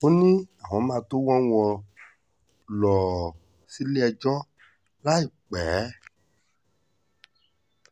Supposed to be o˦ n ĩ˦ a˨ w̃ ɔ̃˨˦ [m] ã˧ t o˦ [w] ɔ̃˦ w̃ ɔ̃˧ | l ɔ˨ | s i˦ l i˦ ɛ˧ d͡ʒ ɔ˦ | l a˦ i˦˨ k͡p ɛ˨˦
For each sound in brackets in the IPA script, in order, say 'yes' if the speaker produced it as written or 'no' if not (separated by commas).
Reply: yes, yes